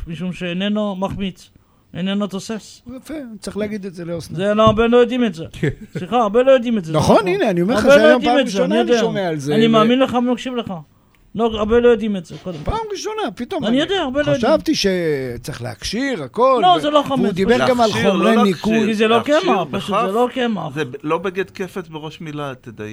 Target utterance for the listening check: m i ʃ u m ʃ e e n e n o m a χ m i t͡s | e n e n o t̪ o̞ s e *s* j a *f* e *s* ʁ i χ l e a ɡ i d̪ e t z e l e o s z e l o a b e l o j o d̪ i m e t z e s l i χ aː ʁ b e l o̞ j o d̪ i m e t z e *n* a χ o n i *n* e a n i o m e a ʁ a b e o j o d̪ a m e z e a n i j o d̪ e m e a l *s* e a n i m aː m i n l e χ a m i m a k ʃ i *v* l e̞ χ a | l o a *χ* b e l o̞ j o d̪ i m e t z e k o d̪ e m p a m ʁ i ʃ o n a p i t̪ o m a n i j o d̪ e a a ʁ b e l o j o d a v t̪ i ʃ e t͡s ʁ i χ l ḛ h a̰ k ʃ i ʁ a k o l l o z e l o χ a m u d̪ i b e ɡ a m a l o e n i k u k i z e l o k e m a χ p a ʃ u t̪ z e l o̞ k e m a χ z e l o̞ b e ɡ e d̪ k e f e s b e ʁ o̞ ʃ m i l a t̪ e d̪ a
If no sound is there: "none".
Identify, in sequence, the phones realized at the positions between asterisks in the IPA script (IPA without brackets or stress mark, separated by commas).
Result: s, f, t͡s, n, n, z, v, ʁ